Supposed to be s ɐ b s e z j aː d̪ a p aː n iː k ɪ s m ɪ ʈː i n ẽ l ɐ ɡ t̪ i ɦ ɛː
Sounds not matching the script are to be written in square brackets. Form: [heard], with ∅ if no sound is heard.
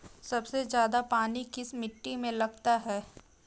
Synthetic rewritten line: s ɐ b s e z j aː d̪ a p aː n [i] k ɪ s m ɪ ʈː i [m] ẽ l ɐ ɡ t̪ [a] ɦ ɛː